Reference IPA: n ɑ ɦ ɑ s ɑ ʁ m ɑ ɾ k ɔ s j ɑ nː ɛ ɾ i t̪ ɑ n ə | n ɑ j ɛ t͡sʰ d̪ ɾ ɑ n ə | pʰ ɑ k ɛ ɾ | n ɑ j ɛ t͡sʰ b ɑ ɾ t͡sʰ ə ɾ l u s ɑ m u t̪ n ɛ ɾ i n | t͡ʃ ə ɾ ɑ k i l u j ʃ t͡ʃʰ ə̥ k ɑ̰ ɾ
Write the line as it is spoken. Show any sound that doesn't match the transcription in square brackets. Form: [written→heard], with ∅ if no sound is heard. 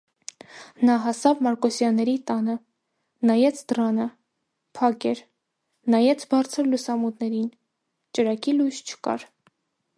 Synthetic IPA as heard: n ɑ ɦ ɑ s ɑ [ʁ→v] m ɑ ɾ k ɔ s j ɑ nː ɛ ɾ i t̪ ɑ n ə | n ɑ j ɛ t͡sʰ d̪ ɾ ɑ n ə | pʰ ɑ k ɛ ɾ | n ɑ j ɛ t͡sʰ b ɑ ɾ t͡sʰ ə ɾ l u s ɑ m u t̪ n ɛ ɾ i n | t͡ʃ ə ɾ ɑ k i l u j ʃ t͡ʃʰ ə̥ k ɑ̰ ɾ